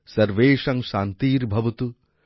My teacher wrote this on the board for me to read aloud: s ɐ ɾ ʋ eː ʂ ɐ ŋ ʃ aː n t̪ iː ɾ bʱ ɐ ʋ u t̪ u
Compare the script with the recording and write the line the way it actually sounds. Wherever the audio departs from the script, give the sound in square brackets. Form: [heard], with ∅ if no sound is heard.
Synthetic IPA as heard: s ɐ ɾ ʋ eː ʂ ɐ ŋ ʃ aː n t̪ iː ɾ bʱ ɐ ʋ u t̪ u